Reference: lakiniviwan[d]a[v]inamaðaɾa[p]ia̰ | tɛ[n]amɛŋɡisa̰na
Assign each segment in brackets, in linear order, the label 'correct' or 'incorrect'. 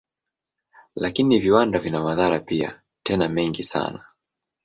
correct, correct, correct, correct

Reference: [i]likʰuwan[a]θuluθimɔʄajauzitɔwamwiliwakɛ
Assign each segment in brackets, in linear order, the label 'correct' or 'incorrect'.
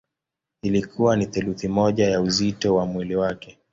correct, incorrect

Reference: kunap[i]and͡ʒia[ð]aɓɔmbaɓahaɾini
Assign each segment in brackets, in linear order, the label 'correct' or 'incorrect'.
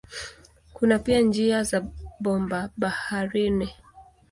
correct, incorrect

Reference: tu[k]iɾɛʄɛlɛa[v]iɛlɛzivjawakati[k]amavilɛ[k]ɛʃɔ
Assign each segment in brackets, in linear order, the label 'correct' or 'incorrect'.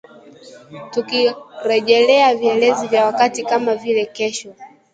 correct, correct, correct, correct

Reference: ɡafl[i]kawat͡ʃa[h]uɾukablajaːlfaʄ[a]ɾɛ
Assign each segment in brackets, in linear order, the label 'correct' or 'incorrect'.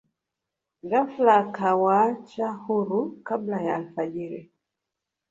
incorrect, correct, incorrect

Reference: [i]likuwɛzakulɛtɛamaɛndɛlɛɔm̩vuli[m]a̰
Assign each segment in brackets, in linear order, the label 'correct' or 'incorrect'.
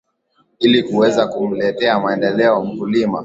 correct, correct

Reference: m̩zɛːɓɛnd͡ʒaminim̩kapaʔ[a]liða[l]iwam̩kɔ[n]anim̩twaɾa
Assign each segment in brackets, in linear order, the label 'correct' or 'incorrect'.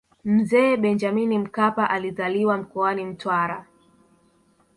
correct, correct, incorrect

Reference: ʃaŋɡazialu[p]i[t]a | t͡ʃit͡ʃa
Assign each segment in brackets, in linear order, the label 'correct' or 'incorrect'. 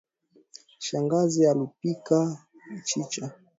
correct, incorrect

